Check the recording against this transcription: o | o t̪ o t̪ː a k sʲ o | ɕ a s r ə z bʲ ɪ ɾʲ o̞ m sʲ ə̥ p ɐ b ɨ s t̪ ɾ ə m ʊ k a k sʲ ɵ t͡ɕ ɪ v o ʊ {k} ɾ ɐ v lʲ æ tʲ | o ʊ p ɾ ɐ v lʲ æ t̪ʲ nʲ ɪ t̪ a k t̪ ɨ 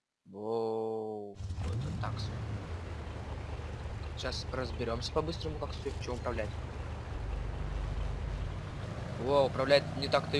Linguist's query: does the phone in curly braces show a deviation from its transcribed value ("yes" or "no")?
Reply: yes